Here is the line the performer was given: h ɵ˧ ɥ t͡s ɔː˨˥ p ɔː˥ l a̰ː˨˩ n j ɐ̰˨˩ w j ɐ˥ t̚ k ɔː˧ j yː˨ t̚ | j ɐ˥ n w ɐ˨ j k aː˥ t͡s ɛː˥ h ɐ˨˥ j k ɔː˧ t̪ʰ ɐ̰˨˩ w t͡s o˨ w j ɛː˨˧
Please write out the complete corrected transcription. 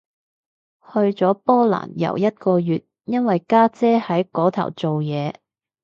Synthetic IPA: h ɵ˧ ɥ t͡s ɔː˨˥ p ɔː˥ l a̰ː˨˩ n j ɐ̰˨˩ w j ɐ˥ t̚ k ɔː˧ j yː˨ t̚ | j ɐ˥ n w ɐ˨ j k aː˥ t͡s ɛː˥ h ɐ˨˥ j k ɔː˨˥ t̪ʰ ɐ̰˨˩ w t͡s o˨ w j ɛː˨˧